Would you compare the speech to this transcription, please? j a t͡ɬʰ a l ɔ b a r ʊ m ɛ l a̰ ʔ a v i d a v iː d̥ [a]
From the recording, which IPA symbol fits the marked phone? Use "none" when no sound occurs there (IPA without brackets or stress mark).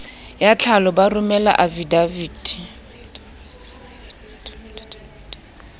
i